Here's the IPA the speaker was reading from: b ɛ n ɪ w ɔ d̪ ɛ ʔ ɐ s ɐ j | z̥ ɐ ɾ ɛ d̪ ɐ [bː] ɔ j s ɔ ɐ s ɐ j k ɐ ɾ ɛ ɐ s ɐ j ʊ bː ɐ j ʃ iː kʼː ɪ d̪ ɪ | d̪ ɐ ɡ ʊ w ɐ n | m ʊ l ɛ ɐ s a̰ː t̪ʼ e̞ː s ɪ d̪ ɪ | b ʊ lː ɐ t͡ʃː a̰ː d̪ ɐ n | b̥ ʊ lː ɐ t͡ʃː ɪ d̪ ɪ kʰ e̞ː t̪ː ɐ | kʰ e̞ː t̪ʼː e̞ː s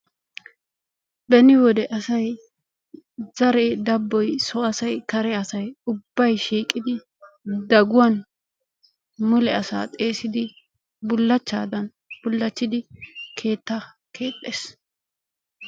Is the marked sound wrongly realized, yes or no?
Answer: no